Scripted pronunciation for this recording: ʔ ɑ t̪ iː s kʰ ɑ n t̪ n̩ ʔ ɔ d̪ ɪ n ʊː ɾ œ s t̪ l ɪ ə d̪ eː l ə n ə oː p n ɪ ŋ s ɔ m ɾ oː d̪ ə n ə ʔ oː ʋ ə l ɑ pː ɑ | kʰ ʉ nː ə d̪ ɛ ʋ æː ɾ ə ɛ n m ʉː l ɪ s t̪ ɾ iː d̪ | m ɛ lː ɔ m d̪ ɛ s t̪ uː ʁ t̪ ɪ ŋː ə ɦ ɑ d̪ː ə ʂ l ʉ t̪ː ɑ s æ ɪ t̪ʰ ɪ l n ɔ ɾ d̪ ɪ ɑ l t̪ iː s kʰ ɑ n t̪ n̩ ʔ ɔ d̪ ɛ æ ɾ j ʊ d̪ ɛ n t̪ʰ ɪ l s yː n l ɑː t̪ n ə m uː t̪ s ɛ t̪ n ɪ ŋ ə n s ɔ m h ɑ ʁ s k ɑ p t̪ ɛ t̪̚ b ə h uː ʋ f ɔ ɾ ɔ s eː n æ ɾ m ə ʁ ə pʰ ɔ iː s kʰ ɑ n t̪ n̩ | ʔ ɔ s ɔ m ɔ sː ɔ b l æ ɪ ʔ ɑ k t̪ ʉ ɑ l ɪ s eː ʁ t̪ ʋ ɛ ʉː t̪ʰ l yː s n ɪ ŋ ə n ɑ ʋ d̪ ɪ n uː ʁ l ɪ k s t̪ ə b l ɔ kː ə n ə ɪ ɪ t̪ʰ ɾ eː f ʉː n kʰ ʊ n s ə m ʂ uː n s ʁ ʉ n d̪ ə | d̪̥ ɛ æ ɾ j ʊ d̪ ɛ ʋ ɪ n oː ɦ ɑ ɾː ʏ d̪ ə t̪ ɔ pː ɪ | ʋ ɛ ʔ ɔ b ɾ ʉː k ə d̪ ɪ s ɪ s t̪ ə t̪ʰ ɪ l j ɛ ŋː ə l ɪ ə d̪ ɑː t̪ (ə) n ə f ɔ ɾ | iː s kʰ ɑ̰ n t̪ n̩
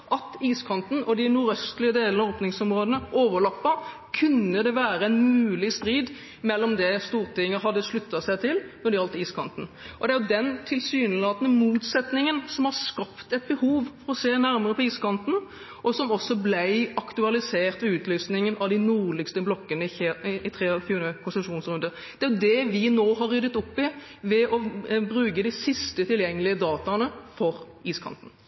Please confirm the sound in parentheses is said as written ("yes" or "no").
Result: no